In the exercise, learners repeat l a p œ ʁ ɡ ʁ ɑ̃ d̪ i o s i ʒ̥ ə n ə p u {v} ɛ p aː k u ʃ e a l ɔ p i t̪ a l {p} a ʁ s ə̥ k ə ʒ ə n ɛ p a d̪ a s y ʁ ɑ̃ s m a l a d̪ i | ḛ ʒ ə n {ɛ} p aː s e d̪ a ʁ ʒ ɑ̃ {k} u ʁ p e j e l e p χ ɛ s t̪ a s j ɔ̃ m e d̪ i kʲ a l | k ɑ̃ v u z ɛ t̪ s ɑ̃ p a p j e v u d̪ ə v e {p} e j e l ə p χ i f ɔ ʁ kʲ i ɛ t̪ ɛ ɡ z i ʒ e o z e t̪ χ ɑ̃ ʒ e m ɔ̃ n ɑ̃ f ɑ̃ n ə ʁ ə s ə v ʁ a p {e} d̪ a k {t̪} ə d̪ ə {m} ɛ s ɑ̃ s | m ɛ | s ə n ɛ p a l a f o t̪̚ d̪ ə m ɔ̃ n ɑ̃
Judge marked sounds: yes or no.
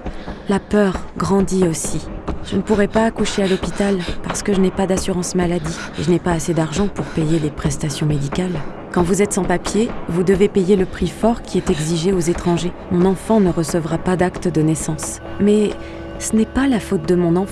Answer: no, yes, yes, no, yes, no, yes, no

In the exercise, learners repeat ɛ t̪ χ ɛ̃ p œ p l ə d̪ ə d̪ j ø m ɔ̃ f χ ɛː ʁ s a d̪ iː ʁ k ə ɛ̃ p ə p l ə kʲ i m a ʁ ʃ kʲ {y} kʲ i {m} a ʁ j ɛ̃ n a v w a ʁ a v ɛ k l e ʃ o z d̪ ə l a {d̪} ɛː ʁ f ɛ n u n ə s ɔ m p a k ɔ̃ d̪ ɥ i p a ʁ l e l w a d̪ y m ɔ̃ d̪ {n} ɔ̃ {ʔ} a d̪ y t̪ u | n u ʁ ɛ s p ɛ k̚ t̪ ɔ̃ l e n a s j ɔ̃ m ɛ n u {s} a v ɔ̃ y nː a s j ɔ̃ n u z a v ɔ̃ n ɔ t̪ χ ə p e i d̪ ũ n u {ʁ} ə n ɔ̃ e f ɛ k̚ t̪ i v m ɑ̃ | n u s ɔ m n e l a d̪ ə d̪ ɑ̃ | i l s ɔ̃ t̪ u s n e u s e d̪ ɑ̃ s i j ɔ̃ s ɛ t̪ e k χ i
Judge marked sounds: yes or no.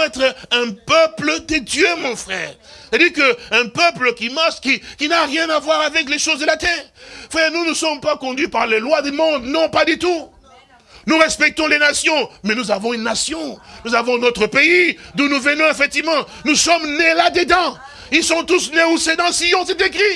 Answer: no, no, no, yes, no, no, no

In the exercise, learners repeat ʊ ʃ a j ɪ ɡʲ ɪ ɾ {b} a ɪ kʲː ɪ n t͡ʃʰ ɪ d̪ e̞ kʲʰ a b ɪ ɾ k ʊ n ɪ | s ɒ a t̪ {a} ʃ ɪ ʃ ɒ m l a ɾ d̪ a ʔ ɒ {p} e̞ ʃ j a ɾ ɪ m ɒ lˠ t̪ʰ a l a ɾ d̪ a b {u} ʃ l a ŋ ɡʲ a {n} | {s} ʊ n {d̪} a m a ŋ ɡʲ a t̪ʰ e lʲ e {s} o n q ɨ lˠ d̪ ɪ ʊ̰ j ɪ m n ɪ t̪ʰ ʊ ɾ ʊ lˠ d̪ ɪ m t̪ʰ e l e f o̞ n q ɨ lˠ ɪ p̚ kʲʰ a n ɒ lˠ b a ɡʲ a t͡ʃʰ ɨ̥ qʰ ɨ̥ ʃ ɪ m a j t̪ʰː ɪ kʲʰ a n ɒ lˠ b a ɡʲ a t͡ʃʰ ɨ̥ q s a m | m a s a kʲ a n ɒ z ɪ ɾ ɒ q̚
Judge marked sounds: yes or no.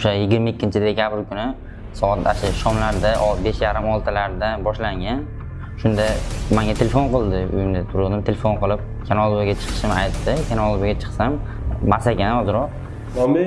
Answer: no, yes, no, no, yes, no, yes, no

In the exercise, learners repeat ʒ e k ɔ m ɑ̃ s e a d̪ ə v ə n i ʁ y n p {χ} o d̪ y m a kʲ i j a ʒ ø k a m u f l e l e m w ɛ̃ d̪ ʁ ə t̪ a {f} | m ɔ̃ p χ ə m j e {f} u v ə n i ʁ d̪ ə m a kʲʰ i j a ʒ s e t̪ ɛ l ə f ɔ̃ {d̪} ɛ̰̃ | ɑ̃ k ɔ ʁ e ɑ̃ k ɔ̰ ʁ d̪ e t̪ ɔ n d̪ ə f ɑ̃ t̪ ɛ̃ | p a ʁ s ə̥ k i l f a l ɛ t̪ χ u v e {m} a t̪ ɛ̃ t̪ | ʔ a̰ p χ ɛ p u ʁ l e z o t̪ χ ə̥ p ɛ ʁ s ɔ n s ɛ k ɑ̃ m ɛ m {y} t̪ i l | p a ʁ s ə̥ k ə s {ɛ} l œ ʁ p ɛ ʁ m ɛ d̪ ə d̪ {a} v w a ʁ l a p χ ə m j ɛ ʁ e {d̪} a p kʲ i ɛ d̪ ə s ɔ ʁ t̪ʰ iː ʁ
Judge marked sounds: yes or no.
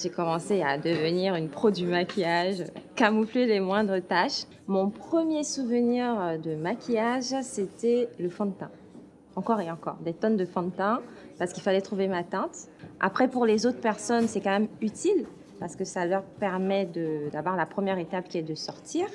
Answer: yes, no, no, no, yes, yes, no, yes, no

